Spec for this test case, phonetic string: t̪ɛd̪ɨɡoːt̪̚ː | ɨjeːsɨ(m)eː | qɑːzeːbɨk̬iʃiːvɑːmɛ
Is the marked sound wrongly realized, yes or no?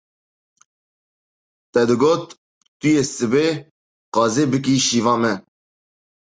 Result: yes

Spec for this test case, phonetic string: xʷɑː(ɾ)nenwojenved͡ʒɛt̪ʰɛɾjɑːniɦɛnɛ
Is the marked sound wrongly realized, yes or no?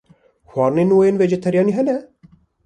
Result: no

